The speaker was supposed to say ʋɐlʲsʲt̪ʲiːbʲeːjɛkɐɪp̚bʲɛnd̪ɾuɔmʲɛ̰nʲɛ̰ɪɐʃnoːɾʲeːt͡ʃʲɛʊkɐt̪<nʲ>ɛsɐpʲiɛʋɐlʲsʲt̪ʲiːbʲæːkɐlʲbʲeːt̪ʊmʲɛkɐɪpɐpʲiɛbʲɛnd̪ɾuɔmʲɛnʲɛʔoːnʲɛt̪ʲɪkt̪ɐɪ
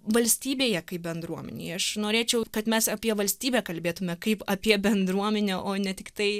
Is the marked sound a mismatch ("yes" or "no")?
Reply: yes